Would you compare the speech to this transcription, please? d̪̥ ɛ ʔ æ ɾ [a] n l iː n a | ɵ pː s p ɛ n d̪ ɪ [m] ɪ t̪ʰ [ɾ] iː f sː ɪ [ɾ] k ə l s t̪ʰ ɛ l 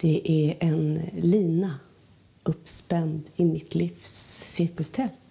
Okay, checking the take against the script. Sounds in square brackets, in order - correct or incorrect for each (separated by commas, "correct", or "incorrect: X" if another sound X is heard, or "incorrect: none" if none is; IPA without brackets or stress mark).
incorrect: ɛ, correct, incorrect: l, correct